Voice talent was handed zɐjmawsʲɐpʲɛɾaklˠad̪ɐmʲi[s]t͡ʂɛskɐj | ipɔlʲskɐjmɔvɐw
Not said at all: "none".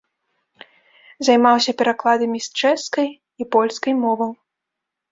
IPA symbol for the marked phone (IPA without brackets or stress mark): s